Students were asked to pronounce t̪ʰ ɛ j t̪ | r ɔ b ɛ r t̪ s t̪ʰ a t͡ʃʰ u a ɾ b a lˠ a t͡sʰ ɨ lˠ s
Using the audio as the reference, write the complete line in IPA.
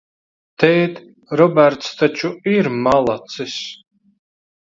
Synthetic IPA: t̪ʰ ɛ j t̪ | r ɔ b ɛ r t̪ s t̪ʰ a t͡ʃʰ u i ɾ m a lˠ a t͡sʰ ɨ s